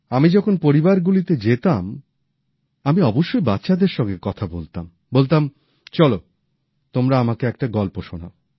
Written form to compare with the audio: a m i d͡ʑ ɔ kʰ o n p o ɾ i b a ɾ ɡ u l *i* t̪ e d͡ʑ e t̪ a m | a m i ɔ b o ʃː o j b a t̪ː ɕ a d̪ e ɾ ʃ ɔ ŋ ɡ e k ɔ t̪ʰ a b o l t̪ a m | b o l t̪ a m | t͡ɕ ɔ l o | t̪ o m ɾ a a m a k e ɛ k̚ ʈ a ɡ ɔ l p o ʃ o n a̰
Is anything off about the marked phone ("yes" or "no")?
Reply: no